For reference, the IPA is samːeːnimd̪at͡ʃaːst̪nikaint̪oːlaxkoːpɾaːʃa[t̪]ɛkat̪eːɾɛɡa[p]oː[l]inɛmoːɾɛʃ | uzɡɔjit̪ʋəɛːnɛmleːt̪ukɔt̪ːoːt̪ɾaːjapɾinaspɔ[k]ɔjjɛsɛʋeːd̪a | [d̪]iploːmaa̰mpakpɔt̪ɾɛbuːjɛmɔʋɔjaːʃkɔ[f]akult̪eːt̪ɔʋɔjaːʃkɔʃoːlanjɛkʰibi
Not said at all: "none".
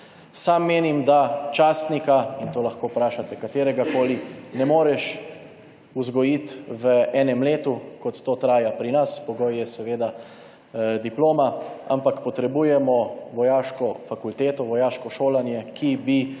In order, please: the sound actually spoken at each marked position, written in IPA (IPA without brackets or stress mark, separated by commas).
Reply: t̪, k, l, ɡ, d̪, f